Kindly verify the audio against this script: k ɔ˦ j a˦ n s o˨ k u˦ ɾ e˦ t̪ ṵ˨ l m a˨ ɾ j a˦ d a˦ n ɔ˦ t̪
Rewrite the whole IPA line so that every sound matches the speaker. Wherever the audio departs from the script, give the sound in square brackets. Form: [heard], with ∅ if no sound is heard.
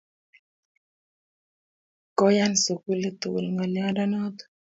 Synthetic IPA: k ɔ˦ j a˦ n s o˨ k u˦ [l] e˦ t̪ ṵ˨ l [ŋ] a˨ [l] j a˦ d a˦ n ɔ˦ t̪